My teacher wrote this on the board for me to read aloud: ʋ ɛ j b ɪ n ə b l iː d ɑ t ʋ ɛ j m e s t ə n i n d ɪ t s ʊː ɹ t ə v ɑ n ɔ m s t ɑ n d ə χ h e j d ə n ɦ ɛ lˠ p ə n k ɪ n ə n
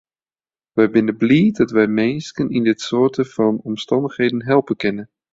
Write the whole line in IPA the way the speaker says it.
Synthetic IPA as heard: ʋ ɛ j b ɪ n ə b l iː d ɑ t ʋ ɛ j m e s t ə n i n d ɪ t s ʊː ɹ t ə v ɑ n ɔ m s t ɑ n d ə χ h e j d ə n ɦ ɛ lˠ p ə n k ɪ n ə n